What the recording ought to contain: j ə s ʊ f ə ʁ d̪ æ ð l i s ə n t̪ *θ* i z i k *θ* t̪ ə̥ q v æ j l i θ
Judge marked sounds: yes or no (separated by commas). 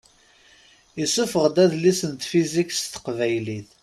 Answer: no, no